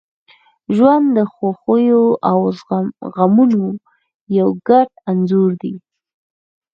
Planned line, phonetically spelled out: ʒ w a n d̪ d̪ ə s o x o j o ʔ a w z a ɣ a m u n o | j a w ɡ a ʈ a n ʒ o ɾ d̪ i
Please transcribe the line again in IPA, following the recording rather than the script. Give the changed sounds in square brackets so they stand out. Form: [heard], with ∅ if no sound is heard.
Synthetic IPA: ʒ w a n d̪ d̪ ə [x] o x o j o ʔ a w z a ɣ a m u n o | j a w ɡ a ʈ a n [z] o ɾ d̪ i